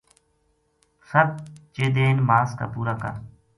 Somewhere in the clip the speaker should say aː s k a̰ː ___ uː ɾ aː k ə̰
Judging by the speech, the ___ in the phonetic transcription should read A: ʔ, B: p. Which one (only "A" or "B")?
B